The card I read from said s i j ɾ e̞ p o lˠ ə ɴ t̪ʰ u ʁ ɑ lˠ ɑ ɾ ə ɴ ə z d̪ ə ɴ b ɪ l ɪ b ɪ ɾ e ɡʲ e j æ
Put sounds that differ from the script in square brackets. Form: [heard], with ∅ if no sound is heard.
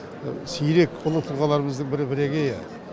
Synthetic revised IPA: s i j ɾ e̞ [k] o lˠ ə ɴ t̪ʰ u ʁ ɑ lˠ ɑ ɾ ə [m] ə z d̪ ə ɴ b ɪ [ɾ] ɪ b ɪ ɾ e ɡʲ e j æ